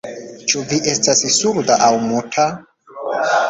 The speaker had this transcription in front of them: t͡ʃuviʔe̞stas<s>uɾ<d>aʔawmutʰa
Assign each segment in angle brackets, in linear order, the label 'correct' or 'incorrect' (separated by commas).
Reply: correct, correct